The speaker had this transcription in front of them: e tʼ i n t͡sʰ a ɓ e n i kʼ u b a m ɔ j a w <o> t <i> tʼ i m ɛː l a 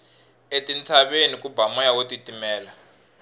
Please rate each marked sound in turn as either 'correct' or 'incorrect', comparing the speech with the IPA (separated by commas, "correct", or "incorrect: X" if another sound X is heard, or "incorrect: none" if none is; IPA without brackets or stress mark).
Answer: correct, correct